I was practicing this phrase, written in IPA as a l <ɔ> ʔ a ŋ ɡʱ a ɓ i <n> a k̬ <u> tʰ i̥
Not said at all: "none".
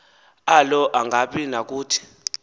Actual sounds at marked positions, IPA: ɔ, n, uː

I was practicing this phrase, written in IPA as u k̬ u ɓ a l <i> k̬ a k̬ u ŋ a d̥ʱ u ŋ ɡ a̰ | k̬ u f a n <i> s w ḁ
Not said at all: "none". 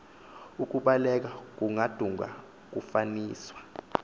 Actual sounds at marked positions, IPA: ɛ, iː

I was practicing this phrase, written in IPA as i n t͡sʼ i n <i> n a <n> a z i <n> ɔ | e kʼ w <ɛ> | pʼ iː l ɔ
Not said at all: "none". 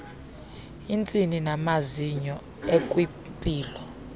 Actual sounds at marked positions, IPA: i, m, ɲ, i

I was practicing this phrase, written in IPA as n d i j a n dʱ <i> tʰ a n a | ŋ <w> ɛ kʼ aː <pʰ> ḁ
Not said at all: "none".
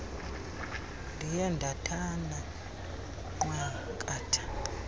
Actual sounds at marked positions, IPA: a, w, tʰ

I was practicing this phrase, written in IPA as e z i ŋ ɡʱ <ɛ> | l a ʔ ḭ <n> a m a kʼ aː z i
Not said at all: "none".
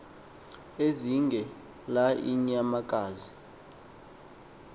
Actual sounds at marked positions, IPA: ɛ, ɲ

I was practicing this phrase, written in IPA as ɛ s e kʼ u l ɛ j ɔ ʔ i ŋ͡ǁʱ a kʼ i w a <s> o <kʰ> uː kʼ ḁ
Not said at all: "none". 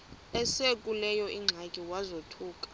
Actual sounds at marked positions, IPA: z, tʰ

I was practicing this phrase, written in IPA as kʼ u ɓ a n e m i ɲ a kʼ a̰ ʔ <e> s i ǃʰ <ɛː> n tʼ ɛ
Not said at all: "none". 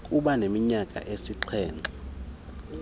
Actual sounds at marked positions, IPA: e, ɛː

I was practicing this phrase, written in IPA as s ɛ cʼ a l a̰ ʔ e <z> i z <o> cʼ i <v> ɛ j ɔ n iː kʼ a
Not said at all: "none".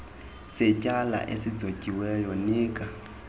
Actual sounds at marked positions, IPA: s, o, w

